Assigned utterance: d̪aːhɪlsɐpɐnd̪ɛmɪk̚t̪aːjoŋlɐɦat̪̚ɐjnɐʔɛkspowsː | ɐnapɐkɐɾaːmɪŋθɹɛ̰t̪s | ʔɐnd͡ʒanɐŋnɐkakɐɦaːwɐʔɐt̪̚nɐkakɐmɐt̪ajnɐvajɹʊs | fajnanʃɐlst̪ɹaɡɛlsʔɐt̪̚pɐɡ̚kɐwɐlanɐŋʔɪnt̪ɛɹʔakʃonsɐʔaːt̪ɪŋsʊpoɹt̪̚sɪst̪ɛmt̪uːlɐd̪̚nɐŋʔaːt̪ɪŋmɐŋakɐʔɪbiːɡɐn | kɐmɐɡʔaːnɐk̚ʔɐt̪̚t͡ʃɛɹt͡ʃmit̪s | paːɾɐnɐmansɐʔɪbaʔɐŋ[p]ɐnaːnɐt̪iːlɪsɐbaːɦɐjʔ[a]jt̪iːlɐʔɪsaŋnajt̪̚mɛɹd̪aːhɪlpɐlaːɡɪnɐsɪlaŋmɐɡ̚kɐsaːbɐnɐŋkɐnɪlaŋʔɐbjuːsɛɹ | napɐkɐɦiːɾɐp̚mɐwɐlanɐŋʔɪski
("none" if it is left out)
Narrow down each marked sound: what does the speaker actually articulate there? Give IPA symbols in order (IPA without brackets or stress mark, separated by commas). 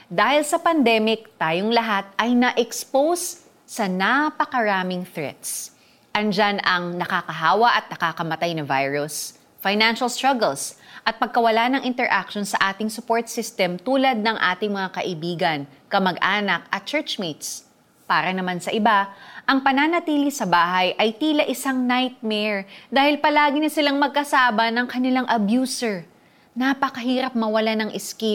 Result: p, ɐ